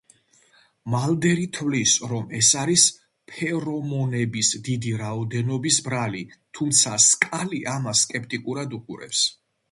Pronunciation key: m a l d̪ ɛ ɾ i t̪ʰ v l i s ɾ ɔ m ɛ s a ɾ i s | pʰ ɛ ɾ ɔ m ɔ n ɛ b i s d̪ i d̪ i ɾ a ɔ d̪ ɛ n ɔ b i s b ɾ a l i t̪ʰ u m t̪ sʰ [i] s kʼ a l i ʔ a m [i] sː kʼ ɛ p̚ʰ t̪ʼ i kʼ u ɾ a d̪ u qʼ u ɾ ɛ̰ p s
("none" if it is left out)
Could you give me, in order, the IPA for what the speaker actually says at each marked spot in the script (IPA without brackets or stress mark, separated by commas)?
a, a